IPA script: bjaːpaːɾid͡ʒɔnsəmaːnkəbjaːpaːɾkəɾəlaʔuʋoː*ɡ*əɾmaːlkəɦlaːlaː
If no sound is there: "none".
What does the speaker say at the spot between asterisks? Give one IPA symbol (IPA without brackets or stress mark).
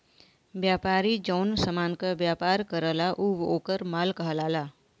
k